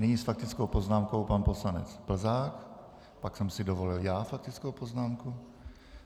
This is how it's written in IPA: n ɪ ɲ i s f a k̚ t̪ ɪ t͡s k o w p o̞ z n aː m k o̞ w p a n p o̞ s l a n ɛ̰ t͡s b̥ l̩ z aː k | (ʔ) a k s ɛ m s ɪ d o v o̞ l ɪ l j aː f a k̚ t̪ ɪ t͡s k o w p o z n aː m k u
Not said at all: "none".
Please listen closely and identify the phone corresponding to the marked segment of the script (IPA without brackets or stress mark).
p